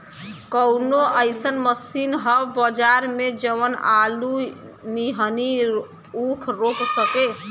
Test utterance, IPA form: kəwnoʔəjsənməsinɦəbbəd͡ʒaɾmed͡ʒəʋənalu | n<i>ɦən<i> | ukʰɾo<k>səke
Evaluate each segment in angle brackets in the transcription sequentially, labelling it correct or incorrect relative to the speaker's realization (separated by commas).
correct, correct, correct